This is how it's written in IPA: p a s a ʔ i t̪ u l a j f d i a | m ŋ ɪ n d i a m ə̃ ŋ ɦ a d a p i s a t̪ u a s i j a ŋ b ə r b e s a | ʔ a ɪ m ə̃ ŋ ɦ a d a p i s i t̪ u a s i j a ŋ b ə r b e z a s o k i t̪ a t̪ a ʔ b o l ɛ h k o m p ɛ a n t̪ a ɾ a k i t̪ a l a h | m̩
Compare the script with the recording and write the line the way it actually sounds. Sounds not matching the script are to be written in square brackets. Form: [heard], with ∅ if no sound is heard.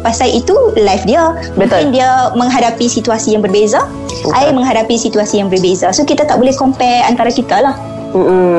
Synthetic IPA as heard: p a s a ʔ i t̪ u l a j f d i a | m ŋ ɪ n d i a m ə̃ ŋ ɦ a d a p i s [i] t̪ u a s i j a ŋ b ə r b e [z] a | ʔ a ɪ m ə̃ ŋ ɦ a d a p i s i t̪ u a s i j a ŋ b ə r b e z a s o k i t̪ a t̪ a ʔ b o l ɛ h k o m p ɛ a n t̪ a ɾ a k i t̪ a l a h | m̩